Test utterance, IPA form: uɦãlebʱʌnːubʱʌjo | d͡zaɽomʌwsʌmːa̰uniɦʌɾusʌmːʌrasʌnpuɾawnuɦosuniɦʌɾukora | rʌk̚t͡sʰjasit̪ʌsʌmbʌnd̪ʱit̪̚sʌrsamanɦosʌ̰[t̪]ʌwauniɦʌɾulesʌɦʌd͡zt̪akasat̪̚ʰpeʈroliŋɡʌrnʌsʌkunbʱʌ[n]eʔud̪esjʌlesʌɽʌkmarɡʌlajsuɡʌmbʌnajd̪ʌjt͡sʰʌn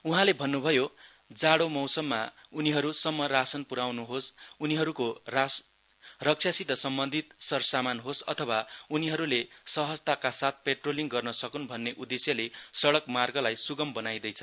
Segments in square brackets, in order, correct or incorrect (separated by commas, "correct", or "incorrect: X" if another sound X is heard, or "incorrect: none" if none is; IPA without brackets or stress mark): incorrect: t̪ʰ, incorrect: nː